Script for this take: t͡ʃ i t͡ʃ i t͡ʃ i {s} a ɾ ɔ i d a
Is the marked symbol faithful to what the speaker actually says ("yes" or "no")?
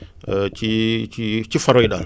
no